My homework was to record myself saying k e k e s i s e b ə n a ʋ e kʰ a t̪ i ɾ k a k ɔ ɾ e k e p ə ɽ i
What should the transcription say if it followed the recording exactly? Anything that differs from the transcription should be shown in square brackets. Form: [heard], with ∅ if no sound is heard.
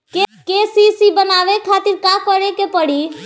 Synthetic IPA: k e k e s i s [i] b ə n a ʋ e kʰ a t̪ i ɾ k a k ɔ ɾ e k e p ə ɽ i